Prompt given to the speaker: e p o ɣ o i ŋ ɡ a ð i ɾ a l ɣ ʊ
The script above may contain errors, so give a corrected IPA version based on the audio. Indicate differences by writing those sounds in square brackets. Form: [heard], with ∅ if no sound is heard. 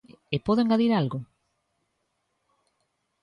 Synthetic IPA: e p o [ð] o [e] ŋ ɡ a ð i ɾ a l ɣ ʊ